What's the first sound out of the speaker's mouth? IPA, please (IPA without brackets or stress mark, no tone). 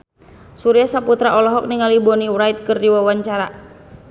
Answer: s